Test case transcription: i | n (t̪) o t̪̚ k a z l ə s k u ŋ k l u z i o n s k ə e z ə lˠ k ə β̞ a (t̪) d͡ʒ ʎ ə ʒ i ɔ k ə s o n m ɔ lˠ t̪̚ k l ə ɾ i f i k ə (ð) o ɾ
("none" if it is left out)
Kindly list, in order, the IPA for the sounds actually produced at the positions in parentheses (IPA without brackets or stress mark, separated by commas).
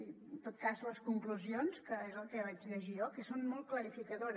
t̪, none, ð